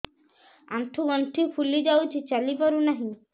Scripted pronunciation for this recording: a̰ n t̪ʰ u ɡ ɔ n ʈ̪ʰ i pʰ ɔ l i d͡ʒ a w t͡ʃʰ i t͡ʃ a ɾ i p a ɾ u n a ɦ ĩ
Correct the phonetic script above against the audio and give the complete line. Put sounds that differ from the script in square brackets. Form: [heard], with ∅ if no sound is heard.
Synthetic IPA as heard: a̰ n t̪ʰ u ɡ ɔ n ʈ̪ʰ i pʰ [u] l i d͡ʒ a w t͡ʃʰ i t͡ʃ a [l] i p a ɾ u n a ɦ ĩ

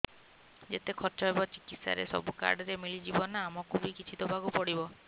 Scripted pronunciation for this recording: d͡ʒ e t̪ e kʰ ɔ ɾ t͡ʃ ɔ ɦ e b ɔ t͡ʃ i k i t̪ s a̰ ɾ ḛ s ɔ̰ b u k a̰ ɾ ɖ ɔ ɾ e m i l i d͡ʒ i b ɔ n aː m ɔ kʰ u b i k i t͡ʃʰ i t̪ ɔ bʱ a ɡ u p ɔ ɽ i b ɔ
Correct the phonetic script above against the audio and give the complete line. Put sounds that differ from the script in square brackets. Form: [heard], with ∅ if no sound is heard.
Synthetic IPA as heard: d͡ʒ e t̪ e kʰ ɔ ɾ t͡ʃ ɔ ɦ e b ɔ t͡ʃ i k i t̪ s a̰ ɾ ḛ s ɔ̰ b u k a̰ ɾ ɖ ɔ ɾ e m i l i d͡ʒ i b ɔ n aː m ɔ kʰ u b i k i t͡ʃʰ i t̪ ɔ bʱ a ɡ u p ɔ ɽ i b ɔ

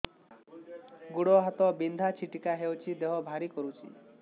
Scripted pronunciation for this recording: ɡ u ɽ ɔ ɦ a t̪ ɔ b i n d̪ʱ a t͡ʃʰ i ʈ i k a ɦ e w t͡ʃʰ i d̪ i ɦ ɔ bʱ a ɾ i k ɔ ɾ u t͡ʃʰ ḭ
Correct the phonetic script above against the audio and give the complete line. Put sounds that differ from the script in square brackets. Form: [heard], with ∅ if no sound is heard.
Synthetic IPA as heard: ɡ u ɽ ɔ ɦ a t̪ ɔ b i n d̪ʱ a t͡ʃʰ i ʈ i k a ɦ e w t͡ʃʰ i d̪ [e] ɦ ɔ bʱ a ɾ i k ɔ ɾ u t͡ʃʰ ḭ

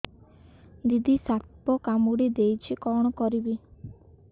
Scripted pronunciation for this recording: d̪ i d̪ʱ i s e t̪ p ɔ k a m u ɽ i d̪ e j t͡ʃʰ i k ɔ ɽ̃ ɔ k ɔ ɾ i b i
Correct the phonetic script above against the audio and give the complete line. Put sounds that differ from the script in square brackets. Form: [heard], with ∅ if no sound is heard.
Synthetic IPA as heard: d̪ i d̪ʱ i s [a] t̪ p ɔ k a m u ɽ i d̪ e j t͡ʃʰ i k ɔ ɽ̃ ɔ k ɔ ɾ i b i

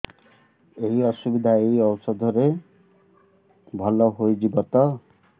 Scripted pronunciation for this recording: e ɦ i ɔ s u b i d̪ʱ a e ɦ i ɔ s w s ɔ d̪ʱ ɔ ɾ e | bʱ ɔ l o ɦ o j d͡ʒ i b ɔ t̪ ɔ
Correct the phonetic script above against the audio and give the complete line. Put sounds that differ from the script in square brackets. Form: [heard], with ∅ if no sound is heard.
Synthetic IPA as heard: e ɦ i ɔ s u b i d̪ʱ a e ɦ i ɔ [∅] w s ɔ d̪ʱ ɔ ɾ e | bʱ ɔ l [ɔ] ɦ o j d͡ʒ i b ɔ t̪ ɔ

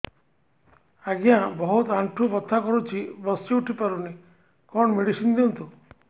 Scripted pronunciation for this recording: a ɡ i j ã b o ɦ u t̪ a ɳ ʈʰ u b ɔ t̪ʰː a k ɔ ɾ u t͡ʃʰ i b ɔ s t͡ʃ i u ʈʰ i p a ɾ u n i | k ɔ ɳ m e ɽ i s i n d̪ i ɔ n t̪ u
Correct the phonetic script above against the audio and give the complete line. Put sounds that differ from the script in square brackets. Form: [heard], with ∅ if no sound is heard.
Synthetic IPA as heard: a ɡ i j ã b [ɔ] ɦ u t̪ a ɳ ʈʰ u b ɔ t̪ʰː a k ɔ ɾ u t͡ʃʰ i b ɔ s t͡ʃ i u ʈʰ i p a ɾ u n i | k ɔ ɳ m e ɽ i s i n d̪ i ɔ n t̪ u

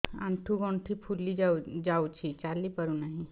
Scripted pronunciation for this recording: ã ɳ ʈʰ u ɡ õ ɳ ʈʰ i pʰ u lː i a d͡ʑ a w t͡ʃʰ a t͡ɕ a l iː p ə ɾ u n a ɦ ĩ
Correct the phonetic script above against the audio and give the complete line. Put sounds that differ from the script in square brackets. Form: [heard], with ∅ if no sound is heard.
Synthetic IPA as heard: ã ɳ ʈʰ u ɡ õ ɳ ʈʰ i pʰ u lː i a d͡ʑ a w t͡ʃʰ [i] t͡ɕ a l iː p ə ɾ u n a ɦ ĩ

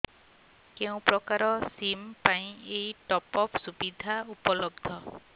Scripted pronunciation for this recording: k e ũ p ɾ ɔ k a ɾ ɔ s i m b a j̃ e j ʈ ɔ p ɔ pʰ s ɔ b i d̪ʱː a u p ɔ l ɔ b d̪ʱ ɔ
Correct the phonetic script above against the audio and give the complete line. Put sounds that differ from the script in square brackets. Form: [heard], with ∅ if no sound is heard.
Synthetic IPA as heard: k e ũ p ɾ ɔ k a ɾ ɔ s i m [p] a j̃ e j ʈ ɔ p ɔ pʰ s [u] b i [d̪ʱ] a u p ɔ l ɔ b d̪ʱ ɔ

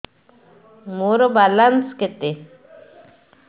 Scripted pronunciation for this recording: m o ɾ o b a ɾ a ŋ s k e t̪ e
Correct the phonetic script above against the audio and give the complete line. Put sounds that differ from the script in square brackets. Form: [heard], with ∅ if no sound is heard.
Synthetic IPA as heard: m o ɾ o b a [l] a [n] s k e t̪ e

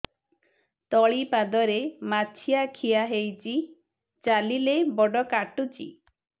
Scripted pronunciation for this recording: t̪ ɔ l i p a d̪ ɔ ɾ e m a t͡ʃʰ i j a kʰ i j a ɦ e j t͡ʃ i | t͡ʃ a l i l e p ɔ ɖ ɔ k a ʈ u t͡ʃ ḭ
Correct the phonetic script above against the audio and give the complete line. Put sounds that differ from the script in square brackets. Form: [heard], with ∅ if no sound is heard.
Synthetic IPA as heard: t̪ ɔ [ɭ] i p a d̪ ɔ ɾ e m a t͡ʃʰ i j a kʰ i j a ɦ e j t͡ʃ i | t͡ʃ a l i l e [b] ɔ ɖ ɔ k a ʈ u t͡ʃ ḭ

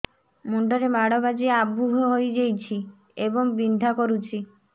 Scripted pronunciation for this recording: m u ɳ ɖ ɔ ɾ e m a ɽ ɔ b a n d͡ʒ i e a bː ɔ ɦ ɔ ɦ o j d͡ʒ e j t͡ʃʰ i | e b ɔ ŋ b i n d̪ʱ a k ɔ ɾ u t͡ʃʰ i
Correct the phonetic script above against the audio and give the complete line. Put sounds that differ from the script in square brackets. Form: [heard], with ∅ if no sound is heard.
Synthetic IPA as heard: m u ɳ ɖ ɔ ɾ e m a ɽ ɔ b a [∅] d͡ʒ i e a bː [u] ɦ ɔ ɦ o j d͡ʒ e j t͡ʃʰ i | e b ɔ ŋ b i n d̪ʱ a k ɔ ɾ u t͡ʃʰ i

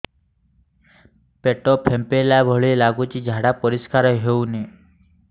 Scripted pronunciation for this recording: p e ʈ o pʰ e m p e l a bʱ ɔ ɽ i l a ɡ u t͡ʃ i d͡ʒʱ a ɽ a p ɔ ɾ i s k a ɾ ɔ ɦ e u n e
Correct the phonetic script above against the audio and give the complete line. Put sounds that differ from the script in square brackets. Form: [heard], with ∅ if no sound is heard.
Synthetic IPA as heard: p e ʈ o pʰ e m p e l a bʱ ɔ [ɭ] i l a ɡ u t͡ʃ i d͡ʒʱ a ɽ a p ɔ ɾ i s k a ɾ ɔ ɦ e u n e

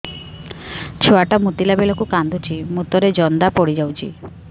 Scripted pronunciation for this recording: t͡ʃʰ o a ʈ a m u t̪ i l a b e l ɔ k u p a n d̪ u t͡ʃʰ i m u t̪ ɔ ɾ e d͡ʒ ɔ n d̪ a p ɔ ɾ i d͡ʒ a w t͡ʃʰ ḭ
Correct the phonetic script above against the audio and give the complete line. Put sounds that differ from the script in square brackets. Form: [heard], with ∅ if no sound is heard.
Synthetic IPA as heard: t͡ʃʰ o a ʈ a m u t̪ i l a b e l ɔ k u [k] a n d̪ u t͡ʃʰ i m u t̪ ɔ ɾ e d͡ʒ ɔ n d̪ a p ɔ [ɽ] i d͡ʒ a w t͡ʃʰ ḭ

